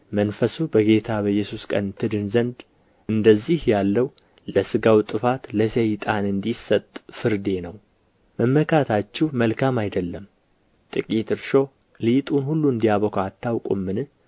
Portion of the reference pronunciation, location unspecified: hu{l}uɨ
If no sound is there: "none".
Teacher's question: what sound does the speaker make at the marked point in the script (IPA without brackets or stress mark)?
lː